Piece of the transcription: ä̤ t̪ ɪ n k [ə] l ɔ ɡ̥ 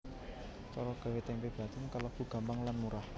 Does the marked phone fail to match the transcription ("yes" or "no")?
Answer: yes